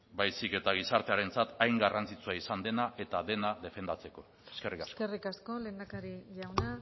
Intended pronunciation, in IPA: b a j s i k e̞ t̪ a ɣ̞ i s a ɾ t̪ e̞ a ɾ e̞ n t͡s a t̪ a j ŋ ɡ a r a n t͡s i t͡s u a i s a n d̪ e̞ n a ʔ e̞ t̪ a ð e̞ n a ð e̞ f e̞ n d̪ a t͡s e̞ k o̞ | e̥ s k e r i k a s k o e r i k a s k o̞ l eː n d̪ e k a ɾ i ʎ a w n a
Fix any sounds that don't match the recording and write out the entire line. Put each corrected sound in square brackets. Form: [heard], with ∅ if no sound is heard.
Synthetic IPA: b a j s i k e̞ t̪ a ɣ̞ i s a ɾ t̪ e̞ a ɾ e̞ n t͡s a t̪ a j ŋ ɡ a r a n t͡s i t͡s u a i s a n d̪ e̞ n a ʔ e̞ t̪ a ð e̞ n a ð e̞ f e̞ n d̪ a t͡s e̞ k o̞ | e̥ s k e r i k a s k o e r i k a s k o̞ l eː n d̪ [a] k a ɾ i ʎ a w n a